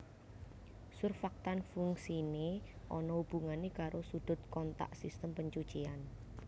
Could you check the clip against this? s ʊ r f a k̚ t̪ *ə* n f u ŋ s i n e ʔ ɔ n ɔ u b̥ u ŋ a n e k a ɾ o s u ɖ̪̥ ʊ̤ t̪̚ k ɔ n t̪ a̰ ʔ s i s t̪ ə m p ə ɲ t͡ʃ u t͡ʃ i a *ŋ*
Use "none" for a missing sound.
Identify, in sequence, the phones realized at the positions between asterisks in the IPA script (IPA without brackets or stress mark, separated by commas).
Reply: a, n